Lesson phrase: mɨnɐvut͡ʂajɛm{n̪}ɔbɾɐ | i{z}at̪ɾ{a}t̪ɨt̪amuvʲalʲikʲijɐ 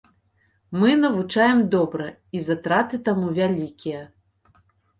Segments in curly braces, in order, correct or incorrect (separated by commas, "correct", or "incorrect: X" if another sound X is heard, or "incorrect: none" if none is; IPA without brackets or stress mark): incorrect: d̪, correct, correct